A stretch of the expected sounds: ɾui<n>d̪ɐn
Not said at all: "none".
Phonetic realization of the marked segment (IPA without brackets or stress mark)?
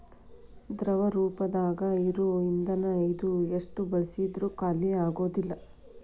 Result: n